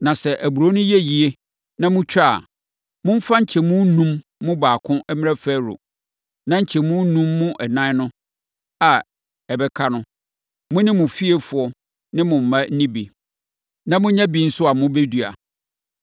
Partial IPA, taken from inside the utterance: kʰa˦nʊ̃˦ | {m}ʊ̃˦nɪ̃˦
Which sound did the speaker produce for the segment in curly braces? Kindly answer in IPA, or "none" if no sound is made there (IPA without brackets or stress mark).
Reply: m